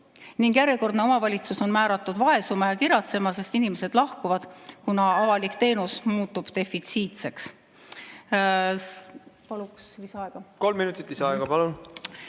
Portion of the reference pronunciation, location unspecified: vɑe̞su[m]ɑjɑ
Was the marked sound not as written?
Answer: no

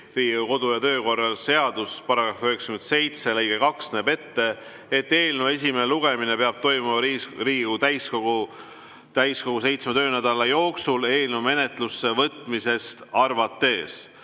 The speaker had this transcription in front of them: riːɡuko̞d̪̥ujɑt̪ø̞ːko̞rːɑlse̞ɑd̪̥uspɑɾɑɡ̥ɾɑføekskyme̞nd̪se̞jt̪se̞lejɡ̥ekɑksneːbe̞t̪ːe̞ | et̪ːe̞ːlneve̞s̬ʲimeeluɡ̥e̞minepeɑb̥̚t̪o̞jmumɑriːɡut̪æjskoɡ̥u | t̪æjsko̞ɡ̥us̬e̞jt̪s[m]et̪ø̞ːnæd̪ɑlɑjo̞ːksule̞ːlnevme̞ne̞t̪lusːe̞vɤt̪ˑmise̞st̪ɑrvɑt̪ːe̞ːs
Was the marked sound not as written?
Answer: no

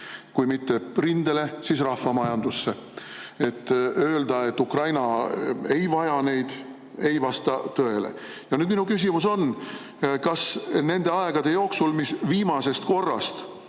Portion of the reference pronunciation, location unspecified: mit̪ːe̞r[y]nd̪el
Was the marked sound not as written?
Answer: yes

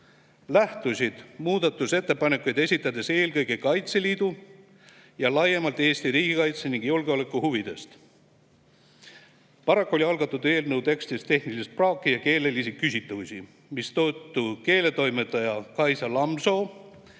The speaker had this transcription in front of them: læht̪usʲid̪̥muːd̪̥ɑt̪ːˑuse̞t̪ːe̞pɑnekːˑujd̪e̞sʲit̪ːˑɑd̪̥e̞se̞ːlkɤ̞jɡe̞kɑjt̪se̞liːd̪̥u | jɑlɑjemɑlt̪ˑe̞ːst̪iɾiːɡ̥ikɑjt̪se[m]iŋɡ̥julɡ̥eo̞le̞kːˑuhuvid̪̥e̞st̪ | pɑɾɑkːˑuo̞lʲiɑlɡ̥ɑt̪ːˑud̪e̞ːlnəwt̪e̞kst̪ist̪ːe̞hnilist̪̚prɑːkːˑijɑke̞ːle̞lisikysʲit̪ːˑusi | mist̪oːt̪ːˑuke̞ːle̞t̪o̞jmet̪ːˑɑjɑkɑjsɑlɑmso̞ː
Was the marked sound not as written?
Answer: yes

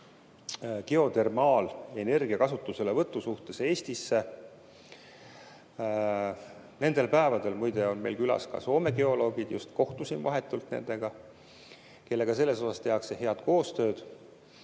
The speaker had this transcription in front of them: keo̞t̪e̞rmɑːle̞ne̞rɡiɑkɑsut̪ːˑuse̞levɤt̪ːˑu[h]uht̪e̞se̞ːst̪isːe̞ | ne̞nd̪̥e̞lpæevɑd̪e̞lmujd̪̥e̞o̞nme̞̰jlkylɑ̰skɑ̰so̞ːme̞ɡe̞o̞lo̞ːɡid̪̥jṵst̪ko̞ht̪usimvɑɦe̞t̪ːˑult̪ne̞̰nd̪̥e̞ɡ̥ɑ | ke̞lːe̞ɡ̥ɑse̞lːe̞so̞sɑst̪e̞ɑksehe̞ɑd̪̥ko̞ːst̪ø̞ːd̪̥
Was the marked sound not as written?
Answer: yes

